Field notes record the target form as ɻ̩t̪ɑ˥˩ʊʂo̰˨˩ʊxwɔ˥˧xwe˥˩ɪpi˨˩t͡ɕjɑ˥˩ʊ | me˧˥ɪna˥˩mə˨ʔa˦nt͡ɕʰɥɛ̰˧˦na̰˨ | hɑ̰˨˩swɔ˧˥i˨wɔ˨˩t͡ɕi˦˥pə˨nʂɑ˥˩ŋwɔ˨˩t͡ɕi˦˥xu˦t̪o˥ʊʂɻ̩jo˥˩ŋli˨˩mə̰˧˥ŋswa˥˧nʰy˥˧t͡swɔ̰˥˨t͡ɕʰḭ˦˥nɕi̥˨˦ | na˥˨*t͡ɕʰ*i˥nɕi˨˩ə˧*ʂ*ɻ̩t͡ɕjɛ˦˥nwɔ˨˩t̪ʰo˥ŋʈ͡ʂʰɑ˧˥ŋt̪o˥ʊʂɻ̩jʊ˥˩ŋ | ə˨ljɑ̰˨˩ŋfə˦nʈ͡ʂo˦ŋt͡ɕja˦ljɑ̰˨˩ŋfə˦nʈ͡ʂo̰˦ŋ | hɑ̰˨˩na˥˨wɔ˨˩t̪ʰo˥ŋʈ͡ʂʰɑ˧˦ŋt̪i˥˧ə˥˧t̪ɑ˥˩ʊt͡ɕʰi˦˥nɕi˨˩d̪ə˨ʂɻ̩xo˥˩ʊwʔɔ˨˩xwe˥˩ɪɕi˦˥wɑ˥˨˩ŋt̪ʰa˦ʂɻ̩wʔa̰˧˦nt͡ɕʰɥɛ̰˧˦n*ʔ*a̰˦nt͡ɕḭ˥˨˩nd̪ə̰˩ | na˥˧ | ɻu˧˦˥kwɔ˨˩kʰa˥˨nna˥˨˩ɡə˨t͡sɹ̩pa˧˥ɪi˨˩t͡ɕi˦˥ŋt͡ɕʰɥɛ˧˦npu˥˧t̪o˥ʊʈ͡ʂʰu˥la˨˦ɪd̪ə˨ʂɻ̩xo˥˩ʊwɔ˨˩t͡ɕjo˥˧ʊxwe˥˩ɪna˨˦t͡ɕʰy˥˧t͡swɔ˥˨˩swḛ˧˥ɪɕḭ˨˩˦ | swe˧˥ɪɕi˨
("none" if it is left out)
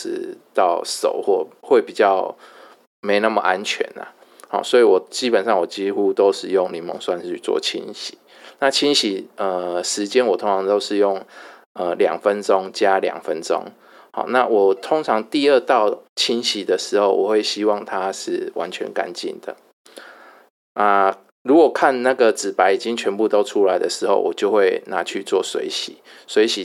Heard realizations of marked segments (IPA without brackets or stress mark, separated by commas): t͡ɕʰ, ʂ, k